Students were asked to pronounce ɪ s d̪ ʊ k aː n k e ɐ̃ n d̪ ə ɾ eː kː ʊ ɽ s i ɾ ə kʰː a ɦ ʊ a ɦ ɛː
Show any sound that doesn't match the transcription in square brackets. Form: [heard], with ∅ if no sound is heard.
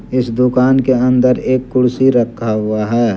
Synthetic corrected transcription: ɪ s d̪ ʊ k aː n k e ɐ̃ n d̪ ə ɾ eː kː ʊ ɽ s i ɾ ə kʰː a ɦ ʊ a ɦ ɛː